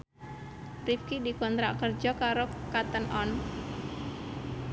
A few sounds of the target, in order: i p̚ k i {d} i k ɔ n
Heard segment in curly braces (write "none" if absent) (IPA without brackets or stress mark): d